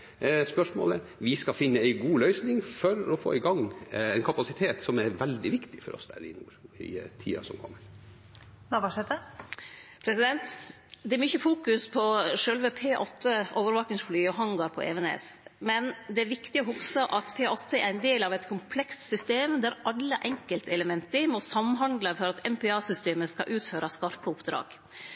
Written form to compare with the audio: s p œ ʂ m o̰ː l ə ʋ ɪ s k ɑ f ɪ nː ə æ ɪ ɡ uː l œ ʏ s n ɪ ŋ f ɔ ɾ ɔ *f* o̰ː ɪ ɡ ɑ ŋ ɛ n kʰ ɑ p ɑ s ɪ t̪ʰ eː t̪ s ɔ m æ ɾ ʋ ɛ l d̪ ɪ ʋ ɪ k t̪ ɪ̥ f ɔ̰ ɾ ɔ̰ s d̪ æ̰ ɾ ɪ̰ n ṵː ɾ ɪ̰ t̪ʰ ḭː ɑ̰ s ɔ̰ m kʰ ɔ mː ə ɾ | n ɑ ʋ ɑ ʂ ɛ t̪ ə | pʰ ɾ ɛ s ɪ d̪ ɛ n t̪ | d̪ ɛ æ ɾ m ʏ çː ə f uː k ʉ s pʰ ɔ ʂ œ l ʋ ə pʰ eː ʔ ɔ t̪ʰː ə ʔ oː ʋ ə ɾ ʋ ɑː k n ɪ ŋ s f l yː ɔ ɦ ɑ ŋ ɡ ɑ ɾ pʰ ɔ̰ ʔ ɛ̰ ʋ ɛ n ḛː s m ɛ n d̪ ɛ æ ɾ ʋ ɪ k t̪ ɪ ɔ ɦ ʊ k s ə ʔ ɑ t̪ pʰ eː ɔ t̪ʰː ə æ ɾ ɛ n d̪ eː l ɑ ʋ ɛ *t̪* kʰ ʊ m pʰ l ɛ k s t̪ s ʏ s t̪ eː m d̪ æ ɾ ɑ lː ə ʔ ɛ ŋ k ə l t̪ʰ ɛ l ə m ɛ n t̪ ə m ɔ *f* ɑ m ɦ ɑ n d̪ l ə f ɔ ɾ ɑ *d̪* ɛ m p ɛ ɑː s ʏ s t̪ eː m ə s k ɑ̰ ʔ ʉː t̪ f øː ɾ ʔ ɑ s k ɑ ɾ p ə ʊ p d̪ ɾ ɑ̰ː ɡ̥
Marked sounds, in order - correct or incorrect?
correct, correct, incorrect: s, incorrect: t̪

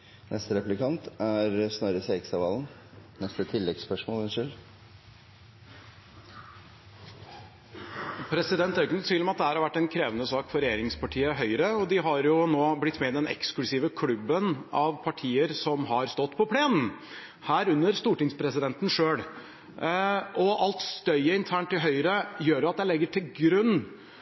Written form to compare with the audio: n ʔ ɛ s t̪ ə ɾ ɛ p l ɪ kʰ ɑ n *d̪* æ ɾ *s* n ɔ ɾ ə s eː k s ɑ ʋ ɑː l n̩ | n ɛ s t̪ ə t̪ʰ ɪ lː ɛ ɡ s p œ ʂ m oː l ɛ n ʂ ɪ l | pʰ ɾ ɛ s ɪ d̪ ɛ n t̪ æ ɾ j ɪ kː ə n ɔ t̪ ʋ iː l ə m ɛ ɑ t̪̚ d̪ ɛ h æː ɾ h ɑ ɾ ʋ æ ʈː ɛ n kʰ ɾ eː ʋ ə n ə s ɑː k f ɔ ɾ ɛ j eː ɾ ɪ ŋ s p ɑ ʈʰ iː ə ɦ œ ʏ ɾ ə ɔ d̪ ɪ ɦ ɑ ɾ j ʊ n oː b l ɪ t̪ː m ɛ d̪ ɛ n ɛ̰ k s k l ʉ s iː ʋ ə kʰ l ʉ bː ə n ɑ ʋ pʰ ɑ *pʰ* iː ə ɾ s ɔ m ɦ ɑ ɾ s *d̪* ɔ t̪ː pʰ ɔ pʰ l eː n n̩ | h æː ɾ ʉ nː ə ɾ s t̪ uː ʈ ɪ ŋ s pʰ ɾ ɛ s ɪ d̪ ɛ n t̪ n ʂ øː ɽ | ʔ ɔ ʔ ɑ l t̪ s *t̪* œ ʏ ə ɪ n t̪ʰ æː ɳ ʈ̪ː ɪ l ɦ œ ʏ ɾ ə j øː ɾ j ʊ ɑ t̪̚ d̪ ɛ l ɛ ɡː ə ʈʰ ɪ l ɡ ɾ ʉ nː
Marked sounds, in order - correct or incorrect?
incorrect: t̪, correct, incorrect: ʈʰ, incorrect: t̪, correct

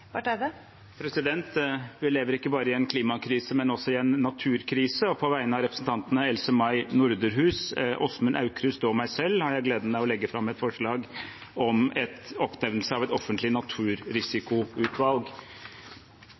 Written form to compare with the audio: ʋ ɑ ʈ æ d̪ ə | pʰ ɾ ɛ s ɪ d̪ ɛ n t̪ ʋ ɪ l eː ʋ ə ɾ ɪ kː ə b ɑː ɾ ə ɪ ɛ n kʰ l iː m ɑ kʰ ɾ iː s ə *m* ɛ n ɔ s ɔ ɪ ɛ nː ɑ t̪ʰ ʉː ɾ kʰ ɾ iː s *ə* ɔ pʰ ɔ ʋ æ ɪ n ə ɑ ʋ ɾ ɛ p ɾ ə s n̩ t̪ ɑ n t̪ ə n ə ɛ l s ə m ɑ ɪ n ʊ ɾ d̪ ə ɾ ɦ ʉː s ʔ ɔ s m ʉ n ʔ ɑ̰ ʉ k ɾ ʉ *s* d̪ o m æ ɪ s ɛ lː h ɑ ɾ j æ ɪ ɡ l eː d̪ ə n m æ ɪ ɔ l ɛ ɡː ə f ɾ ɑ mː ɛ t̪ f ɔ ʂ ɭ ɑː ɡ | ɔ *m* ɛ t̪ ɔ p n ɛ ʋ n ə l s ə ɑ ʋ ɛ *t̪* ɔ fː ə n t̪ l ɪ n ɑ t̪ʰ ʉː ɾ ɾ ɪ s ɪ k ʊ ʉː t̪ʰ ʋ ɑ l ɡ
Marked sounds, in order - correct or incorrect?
correct, correct, correct, correct, correct

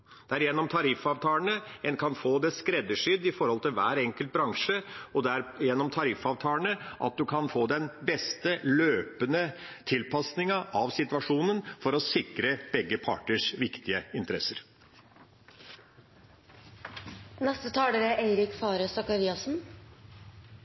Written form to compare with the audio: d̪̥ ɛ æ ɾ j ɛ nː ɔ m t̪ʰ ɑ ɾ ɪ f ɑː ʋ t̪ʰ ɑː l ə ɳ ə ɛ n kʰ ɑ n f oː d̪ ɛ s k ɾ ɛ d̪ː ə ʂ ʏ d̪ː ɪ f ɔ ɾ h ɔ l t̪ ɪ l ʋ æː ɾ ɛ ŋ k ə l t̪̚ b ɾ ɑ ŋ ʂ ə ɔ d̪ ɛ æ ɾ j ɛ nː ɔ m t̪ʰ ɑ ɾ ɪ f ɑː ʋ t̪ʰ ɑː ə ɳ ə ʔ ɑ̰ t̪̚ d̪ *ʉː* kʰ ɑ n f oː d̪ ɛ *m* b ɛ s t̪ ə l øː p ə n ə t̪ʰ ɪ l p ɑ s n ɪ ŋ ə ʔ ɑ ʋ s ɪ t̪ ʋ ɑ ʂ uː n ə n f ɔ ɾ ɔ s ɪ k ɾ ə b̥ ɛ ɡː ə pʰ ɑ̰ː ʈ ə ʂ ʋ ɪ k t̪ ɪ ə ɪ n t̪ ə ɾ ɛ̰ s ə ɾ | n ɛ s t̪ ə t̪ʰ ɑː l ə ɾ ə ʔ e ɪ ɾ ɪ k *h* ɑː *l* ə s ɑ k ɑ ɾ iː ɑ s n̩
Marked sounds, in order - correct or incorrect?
incorrect: ʉ, incorrect: n, incorrect: f, incorrect: ɾ

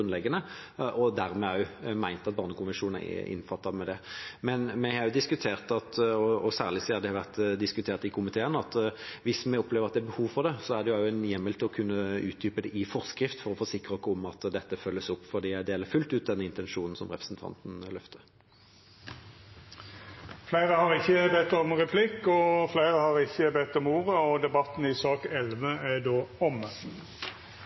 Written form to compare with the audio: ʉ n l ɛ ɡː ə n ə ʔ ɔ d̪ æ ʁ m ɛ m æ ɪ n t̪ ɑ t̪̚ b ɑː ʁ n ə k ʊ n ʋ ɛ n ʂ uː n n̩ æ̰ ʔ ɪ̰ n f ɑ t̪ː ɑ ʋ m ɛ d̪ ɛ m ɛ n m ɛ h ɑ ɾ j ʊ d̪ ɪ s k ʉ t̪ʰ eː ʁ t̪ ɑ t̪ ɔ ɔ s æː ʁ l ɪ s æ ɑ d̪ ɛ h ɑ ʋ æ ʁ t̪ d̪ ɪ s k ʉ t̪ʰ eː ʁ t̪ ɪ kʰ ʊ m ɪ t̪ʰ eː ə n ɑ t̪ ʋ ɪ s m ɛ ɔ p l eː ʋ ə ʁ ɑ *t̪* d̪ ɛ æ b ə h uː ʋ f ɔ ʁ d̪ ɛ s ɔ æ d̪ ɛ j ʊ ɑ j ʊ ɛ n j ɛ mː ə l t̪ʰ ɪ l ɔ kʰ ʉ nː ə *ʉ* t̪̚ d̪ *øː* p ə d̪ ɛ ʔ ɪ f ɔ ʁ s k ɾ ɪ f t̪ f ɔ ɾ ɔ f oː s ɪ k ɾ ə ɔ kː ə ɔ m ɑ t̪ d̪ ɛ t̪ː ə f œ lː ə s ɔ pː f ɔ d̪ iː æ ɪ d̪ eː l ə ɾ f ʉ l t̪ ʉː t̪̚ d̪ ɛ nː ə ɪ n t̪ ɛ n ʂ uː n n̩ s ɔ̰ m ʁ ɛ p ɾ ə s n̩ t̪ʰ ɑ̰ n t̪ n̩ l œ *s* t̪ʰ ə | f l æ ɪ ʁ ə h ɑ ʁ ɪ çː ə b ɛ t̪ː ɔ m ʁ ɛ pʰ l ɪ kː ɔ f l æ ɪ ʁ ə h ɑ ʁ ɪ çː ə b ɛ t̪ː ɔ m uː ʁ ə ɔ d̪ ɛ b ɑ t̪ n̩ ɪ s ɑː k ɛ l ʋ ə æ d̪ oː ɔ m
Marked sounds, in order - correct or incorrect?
correct, incorrect: ʉː, incorrect: yː, incorrect: f

